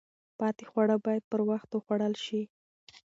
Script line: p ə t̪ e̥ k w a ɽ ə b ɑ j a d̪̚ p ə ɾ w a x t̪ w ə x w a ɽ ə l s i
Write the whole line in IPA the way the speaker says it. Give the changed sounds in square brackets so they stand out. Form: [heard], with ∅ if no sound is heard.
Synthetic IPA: p [ɑ] t̪ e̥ [x] w a ɽ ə b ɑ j a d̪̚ p ə ɾ w a x t̪ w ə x w a ɽ ə l [ʃ] i